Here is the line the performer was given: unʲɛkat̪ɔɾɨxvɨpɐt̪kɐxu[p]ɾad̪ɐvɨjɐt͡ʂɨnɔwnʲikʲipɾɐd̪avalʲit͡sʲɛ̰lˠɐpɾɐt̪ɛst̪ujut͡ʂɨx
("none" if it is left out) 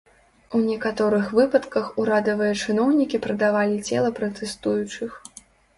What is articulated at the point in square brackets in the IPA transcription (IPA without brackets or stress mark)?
none